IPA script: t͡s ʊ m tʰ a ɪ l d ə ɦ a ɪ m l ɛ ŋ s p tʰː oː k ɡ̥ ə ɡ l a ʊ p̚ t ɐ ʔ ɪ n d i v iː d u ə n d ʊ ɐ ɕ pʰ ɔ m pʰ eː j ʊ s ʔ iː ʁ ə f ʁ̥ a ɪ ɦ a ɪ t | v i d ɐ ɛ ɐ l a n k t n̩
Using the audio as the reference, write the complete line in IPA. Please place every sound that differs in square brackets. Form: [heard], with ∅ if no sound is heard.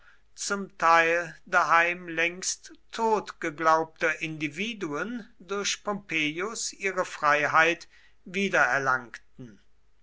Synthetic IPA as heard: t͡s ʊ m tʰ a ɪ l d [a] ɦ a ɪ m l ɛ ŋ s [t] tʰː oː [t] ɡ̥ ə ɡ l a ʊ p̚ t ɐ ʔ ɪ n d i v iː d u ə n d ʊ ɐ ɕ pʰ ɔ m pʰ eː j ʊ s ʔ iː ʁ ə f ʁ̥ a ɪ ɦ a ɪ t | v [iː] d ɐ ɛ ɐ l a [ŋ] k t n̩